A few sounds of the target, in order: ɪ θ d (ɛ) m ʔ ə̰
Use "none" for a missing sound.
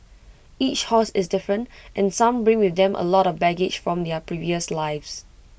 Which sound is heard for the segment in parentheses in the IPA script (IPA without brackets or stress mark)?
ɛ̃